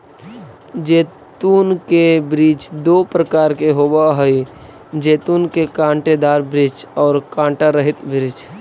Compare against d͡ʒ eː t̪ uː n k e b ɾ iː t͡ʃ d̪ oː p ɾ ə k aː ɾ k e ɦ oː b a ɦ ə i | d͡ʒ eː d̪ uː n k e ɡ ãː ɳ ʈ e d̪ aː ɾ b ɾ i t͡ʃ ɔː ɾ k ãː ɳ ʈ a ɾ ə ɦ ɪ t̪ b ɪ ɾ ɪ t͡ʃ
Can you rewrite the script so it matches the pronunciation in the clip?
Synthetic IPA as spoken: d͡ʒ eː t̪ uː n k e b ɾ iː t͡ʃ d̪ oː p ɾ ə k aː ɾ k e ɦ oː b a ɦ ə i | d͡ʒ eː t̪ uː n k e k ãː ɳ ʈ e d̪ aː ɾ b ɾ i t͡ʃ ɔː ɾ k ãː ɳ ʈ a ɾ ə ɦ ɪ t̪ b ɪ ɾ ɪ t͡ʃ